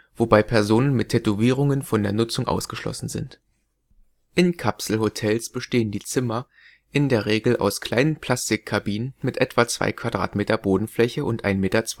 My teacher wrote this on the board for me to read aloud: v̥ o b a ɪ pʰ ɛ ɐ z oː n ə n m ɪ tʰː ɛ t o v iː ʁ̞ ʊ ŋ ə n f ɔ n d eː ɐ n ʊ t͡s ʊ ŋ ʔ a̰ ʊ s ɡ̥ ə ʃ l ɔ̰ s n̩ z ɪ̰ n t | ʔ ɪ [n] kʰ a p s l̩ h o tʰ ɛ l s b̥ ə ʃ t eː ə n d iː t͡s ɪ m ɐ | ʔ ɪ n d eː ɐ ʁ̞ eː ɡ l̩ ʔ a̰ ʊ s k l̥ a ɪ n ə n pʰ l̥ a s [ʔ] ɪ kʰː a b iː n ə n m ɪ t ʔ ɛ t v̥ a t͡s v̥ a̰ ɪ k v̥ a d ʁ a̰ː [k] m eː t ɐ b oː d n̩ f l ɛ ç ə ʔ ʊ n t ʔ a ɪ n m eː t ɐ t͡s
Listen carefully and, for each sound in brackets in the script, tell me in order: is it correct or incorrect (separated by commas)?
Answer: correct, incorrect, incorrect